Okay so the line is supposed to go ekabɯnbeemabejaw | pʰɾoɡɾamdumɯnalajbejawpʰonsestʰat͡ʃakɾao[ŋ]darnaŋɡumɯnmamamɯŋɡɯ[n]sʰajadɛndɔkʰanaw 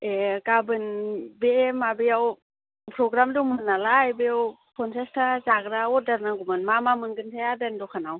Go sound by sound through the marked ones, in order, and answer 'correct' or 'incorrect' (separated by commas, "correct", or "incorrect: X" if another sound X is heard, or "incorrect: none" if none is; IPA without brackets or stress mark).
incorrect: none, correct